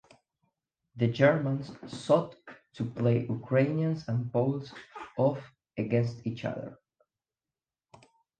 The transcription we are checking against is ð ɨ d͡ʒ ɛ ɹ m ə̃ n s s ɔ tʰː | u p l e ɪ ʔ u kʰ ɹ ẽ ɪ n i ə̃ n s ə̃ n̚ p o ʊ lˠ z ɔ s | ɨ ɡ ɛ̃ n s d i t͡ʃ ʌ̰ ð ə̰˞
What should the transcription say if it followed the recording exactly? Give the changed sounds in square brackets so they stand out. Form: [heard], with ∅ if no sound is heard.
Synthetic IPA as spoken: ð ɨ d͡ʒ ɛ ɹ m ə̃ n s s ɔ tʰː | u p l e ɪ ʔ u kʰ ɹ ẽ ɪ n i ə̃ n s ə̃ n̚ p o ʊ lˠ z ɔ [f] | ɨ ɡ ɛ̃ n s [t] i t͡ʃ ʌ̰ ð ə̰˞